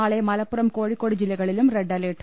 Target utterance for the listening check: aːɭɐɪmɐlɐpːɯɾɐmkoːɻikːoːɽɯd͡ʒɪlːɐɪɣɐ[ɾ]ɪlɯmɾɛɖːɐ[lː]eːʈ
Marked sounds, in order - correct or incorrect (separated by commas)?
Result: incorrect, incorrect